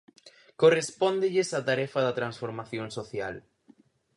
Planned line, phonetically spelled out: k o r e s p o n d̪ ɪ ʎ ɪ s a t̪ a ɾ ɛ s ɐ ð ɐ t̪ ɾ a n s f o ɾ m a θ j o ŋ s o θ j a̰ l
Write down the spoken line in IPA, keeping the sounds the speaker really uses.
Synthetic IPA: k o r e s p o n d̪ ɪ ʎ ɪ s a t̪ a ɾ ɛ f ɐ ð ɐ t̪ ɾ a n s f o ɾ m a θ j o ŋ s o θ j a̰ l